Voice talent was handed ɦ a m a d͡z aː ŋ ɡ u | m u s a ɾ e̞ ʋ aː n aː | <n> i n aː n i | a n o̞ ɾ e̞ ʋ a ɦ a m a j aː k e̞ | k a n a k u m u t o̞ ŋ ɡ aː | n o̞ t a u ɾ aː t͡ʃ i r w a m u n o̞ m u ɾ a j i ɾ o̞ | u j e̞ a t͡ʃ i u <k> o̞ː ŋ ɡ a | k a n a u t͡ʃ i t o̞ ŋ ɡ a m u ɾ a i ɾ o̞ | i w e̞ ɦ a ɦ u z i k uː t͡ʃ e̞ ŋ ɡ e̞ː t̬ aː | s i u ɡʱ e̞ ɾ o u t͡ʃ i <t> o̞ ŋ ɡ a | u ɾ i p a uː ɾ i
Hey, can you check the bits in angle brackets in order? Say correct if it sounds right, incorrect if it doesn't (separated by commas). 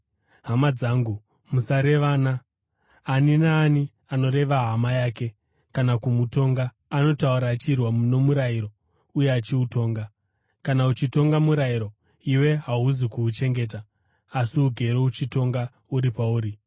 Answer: correct, incorrect, correct